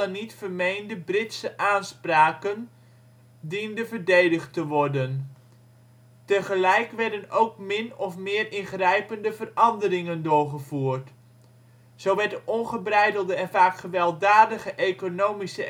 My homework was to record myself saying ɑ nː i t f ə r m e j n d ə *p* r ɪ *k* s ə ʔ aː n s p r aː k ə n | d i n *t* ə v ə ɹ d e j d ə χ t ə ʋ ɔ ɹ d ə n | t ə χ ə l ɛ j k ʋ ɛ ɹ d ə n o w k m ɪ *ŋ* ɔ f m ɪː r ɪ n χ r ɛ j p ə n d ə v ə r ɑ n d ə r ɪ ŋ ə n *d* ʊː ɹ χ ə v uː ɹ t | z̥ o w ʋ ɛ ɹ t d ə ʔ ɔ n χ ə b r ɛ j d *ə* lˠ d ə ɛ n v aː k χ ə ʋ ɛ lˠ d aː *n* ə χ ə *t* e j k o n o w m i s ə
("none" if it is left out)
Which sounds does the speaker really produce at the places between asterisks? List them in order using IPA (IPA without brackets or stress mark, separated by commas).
b, t, d, n, d, ə, d, ʔ